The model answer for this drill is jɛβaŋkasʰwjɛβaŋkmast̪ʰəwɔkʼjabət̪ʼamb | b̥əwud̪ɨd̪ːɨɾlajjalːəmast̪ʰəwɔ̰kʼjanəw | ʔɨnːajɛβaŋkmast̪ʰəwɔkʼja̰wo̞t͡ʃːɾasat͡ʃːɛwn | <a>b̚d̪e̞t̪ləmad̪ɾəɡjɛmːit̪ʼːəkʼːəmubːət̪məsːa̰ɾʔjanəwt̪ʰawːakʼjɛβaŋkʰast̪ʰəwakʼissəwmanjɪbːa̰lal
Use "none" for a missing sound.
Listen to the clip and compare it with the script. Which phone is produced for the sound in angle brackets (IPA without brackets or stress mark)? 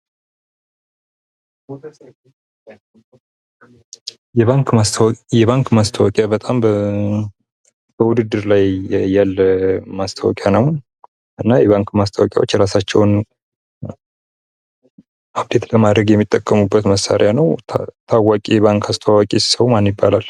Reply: a